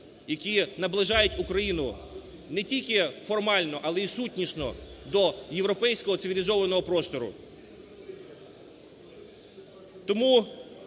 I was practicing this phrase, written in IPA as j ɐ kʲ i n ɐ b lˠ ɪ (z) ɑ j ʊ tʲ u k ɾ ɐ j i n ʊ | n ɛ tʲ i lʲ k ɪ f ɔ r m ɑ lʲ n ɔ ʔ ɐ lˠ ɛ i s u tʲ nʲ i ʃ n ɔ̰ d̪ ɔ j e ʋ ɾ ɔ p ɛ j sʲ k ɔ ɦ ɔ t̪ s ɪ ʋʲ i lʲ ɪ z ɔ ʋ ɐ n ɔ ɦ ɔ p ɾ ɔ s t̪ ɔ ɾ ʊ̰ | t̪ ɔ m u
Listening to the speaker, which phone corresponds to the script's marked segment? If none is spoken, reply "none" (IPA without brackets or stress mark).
ʒ